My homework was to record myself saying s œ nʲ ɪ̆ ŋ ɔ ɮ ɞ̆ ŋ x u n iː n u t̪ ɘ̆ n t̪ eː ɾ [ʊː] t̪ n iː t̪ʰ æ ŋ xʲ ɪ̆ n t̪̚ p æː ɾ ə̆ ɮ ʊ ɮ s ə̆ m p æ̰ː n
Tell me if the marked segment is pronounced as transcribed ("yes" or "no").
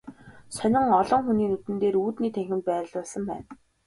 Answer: no